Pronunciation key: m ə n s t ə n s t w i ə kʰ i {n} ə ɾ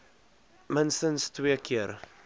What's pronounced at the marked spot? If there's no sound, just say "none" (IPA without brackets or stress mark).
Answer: none